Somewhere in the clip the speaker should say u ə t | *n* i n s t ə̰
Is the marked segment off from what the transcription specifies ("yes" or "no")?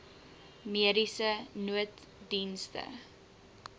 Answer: yes